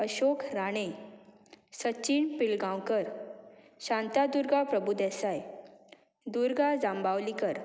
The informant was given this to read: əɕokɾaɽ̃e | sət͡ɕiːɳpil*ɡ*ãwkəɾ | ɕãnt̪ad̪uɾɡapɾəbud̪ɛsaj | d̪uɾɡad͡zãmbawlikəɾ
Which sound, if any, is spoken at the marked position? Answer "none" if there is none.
ɡ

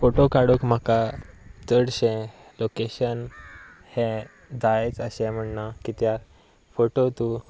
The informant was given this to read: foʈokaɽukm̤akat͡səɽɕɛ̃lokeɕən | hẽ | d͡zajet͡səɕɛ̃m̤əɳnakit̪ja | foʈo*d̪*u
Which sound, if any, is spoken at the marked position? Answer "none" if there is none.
t̪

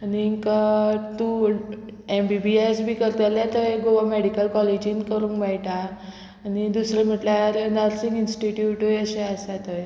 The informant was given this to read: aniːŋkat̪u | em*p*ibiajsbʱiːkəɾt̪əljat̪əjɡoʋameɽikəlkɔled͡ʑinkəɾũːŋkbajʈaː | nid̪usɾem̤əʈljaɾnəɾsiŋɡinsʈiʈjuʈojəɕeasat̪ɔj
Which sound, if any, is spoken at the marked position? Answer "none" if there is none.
b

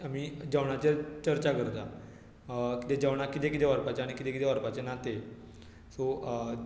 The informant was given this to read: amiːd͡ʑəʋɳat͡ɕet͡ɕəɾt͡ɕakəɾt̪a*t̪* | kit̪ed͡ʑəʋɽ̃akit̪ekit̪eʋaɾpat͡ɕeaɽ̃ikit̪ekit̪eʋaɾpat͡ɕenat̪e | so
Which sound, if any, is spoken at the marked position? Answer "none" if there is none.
none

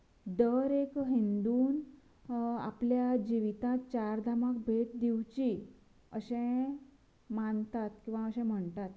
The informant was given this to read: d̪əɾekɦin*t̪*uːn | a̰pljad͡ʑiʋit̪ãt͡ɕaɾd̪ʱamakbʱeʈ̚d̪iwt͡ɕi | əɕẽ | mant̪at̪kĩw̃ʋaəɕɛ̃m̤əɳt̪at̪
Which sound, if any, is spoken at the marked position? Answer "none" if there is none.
d̪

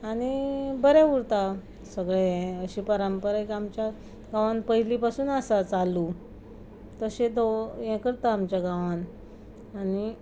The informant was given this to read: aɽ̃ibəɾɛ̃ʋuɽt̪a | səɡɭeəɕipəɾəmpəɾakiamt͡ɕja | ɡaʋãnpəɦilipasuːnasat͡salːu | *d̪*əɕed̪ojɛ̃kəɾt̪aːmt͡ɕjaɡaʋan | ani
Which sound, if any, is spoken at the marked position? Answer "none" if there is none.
t̪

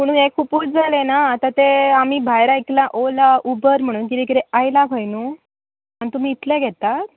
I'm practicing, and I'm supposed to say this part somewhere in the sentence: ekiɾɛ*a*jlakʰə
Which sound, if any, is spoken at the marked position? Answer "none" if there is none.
a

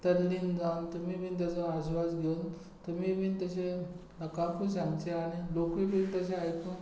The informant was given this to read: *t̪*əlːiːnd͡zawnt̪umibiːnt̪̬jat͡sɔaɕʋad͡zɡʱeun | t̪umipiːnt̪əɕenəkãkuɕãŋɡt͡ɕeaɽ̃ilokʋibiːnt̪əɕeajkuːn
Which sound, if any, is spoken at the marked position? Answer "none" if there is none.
t̪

